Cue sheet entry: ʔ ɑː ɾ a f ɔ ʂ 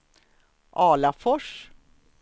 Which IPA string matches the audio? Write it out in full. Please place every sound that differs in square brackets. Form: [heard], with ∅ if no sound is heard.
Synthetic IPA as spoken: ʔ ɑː [l] a f ɔ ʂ